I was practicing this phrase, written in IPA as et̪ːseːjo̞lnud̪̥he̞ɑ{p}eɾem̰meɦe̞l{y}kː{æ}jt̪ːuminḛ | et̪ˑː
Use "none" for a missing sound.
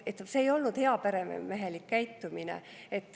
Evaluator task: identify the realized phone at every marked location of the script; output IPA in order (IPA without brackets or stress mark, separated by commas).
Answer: p, i, æ